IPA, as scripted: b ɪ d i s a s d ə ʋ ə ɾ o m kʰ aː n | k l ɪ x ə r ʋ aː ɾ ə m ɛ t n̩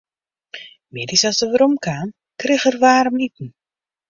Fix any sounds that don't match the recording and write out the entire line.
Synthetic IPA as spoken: m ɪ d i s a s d ə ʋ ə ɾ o m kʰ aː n | k r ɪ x ə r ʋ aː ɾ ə m i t n̩